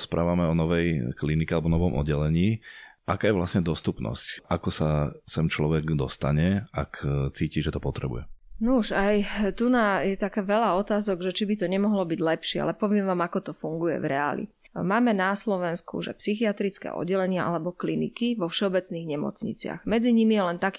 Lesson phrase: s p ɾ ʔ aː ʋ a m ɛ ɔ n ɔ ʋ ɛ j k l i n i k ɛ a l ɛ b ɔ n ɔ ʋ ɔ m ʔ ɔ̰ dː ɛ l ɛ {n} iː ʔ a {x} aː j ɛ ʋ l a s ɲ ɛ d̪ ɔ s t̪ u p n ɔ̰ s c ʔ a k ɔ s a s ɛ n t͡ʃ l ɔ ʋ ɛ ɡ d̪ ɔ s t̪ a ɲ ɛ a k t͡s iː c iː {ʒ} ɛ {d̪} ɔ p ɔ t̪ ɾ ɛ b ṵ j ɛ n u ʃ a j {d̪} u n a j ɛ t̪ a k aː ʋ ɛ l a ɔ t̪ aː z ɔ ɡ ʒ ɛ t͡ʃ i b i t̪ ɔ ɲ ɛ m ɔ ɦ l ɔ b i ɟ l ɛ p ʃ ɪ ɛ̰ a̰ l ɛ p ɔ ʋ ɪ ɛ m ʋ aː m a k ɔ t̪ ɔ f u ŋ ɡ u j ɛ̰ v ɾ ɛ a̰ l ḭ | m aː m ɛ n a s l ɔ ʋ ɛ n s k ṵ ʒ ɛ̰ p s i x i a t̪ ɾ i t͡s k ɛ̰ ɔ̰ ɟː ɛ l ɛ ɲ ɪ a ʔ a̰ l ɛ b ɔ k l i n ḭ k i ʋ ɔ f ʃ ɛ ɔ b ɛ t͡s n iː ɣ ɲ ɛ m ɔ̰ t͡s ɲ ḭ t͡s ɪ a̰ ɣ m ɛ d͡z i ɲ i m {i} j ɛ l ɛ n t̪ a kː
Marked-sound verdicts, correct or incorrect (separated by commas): incorrect, incorrect, correct, incorrect, incorrect, correct